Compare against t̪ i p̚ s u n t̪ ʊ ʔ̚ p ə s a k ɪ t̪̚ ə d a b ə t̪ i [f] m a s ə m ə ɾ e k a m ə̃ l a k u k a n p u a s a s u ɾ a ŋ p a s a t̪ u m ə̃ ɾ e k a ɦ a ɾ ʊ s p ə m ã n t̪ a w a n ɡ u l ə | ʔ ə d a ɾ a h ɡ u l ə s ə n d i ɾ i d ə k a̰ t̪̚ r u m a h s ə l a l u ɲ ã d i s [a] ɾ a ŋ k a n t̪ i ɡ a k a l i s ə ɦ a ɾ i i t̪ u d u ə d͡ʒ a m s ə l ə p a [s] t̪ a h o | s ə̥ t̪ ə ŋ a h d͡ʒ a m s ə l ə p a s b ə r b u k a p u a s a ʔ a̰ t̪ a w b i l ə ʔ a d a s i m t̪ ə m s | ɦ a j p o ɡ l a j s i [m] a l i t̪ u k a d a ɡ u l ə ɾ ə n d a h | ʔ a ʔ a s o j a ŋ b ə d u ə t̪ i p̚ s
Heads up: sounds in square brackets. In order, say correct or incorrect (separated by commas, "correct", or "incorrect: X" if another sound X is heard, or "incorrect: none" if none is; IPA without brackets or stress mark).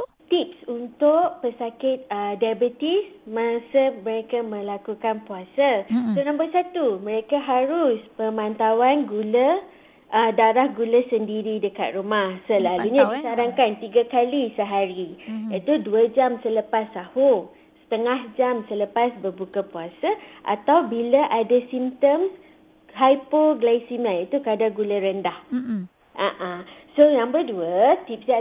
incorrect: s, correct, correct, correct